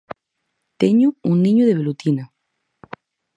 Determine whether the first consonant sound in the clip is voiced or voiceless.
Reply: voiceless